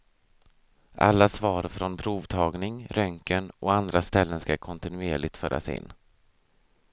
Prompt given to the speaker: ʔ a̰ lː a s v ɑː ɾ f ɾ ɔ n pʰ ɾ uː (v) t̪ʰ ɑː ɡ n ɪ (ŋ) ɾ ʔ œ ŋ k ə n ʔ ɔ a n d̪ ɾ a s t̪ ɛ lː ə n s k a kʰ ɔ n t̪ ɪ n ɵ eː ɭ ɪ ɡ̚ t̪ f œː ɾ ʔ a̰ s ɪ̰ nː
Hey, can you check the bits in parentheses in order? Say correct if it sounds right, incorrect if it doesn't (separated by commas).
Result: correct, correct